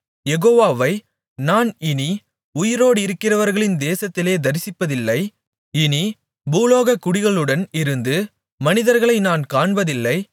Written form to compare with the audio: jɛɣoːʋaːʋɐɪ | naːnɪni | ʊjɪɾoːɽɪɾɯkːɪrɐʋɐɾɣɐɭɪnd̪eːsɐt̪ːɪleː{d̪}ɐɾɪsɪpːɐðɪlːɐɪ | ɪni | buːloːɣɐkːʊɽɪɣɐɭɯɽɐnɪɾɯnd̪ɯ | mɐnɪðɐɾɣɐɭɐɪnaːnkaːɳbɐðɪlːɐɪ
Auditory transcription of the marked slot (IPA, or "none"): d̪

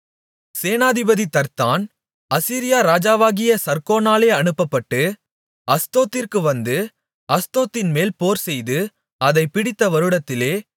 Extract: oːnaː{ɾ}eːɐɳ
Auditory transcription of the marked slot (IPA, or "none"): l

